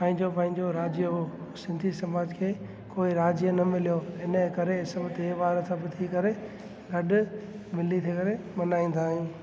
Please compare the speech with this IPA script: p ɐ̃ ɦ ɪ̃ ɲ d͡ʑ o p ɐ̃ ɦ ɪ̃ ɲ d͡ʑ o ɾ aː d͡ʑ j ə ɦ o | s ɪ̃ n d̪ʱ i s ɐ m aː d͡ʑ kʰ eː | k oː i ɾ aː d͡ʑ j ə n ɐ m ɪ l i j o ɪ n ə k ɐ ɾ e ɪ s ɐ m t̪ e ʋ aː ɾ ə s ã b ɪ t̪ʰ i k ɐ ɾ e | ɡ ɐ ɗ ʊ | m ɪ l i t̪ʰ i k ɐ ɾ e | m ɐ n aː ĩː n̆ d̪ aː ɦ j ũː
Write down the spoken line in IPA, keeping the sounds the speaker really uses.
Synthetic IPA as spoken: p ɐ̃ ɦ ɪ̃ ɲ d͡ʑ o p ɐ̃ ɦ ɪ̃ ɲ d͡ʑ o ɾ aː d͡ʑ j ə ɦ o | s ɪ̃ n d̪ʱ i s ɐ m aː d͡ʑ kʰ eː | k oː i ɾ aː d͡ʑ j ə n ɐ m ɪ l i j o ɪ n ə k ɐ ɾ e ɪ s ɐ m t̪ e ʋ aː ɾ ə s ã b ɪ t̪ʰ i k ɐ ɾ e | ɡ ɐ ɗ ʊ | m ɪ l i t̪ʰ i k ɐ ɾ e | m ɐ n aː ĩː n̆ d̪ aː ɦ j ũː